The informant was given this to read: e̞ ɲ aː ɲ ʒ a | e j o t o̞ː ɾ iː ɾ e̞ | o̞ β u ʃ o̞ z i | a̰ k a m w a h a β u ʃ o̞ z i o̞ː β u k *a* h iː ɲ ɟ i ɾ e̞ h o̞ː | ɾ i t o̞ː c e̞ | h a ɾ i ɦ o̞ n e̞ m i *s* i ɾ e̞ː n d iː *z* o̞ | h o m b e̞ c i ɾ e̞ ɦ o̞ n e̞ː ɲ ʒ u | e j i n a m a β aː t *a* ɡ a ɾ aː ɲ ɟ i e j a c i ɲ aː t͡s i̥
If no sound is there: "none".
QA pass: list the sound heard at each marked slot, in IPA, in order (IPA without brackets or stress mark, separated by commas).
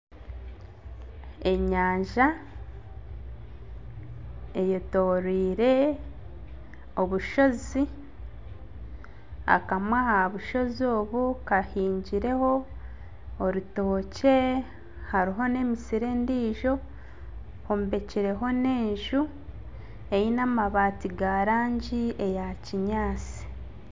a, s, ʒ, i